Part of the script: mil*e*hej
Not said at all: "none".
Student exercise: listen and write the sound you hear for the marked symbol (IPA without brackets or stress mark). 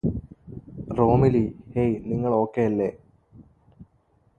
i